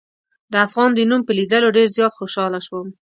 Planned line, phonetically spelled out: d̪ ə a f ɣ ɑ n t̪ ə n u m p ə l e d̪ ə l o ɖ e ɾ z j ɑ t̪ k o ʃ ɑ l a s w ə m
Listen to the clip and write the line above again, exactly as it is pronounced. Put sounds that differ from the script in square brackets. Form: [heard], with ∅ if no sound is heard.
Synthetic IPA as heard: d̪ ə a f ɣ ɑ n [d̪] ə n u m p ə l [i] d̪ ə l o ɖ e ɾ z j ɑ t̪ [x] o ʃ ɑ l a [ʃ] w ə m